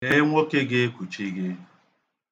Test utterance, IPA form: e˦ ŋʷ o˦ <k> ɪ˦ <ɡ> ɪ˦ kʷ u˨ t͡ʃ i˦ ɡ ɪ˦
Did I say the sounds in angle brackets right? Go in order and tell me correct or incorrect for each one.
correct, correct

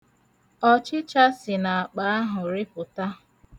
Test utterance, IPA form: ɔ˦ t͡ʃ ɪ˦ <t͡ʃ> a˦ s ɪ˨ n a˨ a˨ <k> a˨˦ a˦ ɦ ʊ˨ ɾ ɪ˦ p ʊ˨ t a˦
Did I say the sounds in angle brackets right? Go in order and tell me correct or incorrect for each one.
correct, incorrect: k͡p

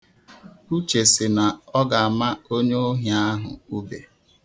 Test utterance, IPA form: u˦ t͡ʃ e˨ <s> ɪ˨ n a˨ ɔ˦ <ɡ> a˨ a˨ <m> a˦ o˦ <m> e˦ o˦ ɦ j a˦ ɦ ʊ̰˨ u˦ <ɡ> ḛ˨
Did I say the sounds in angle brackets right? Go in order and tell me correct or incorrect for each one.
correct, correct, correct, incorrect: ɲ, incorrect: b

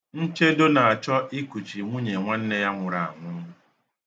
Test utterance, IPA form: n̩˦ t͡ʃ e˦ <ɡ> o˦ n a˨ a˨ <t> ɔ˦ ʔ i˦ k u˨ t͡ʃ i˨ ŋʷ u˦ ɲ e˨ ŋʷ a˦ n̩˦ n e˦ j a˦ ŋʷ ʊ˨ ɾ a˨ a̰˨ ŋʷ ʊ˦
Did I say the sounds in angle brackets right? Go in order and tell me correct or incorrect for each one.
incorrect: d, incorrect: t͡ʃ

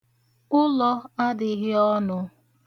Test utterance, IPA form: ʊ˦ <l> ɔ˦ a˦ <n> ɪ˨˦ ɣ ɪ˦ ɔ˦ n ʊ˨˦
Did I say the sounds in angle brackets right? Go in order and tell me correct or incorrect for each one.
correct, incorrect: d

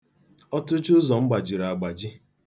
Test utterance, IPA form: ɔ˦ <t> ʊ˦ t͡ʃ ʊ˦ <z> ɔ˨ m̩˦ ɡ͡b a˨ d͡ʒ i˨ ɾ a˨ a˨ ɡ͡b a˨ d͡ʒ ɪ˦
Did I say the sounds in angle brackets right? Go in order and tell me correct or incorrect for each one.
correct, correct

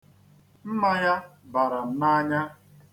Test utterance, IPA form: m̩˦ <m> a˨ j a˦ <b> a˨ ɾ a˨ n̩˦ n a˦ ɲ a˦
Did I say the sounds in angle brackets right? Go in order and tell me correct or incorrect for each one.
correct, correct

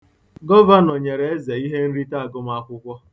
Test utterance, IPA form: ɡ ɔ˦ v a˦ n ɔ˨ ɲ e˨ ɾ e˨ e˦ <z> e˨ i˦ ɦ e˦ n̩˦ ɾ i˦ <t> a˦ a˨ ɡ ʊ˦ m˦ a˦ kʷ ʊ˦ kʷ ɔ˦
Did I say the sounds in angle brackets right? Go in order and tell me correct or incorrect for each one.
correct, correct

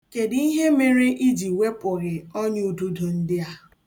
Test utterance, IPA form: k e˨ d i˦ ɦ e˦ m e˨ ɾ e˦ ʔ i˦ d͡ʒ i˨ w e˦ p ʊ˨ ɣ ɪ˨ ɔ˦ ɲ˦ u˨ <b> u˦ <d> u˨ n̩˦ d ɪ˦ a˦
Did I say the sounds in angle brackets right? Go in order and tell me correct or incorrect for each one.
incorrect: d, correct

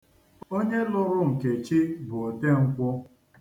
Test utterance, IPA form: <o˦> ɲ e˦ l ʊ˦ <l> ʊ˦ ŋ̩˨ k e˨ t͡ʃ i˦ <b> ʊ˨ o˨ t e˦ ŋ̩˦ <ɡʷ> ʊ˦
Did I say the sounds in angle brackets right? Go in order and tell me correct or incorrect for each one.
correct, incorrect: ɾ, correct, incorrect: kʷ

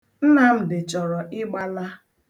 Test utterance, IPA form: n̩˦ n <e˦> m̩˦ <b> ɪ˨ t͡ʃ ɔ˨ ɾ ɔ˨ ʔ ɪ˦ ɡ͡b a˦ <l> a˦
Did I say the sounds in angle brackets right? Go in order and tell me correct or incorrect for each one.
incorrect: a˦, incorrect: d, correct

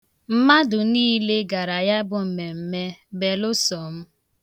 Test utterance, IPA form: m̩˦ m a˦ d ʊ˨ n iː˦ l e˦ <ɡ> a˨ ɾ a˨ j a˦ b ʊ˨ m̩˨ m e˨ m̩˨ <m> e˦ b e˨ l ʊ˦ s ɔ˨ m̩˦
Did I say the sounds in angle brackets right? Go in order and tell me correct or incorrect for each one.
correct, correct

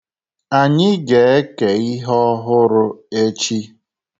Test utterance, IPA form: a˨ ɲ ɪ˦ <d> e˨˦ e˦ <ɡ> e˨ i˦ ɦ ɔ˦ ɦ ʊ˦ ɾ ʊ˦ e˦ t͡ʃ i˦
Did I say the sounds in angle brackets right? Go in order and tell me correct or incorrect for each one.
incorrect: ɡ, incorrect: k

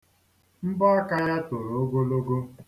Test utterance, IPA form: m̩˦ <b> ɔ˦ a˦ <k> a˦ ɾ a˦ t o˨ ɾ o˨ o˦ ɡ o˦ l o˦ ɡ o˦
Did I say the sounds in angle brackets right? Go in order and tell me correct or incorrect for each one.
correct, correct

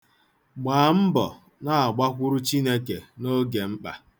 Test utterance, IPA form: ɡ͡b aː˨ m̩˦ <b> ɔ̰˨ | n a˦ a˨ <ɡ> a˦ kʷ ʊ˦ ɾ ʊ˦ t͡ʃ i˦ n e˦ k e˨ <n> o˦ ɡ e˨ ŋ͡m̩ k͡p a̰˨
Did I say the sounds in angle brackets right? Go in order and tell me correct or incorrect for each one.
correct, incorrect: ɡ͡b, correct

